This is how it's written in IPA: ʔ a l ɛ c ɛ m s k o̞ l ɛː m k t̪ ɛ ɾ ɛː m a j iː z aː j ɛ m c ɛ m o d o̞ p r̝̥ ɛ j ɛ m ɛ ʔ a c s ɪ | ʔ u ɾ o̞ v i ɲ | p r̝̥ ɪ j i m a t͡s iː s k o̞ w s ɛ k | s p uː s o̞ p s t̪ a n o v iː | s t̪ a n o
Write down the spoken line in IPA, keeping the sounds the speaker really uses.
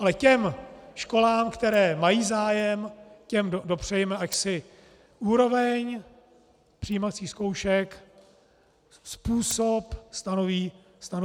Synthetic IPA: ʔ a l ɛ c ɛ m ʃ k o̞ l aː m k t̪ ɛ ɾ ɛː m a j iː z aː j ɛ m c ɛ m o d o̞ p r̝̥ ɛ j ɛ m ɛ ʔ a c s ɪ | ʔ uː ɾ o̞ v ɛ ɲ | p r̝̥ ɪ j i m a t͡s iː s k o̞ w ʃ ɛ k | s p uː s o̞ p s t̪ a n o v iː | s t̪ a n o